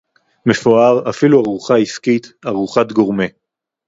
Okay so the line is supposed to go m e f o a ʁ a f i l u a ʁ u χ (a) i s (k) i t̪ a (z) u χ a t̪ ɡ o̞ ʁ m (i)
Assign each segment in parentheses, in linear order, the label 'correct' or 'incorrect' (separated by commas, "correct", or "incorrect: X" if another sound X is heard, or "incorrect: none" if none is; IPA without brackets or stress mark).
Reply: correct, correct, incorrect: ʁ, incorrect: e